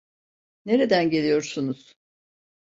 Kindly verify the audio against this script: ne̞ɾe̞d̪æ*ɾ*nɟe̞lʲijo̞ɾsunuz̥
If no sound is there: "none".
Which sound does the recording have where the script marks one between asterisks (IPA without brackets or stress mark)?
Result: none